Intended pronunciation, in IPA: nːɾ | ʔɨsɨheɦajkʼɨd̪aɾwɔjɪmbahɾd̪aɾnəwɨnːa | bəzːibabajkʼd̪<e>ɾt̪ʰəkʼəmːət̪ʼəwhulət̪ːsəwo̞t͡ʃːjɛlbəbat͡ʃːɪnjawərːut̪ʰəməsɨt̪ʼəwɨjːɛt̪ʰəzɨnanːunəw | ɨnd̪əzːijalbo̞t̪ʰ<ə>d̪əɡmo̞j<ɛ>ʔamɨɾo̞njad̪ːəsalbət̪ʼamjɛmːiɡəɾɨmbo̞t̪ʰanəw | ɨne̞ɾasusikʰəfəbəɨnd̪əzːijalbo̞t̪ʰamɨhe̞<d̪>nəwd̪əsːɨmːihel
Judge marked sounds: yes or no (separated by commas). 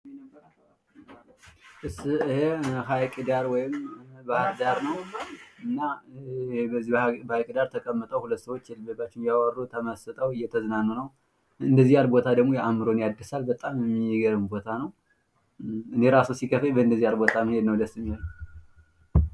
no, no, yes, yes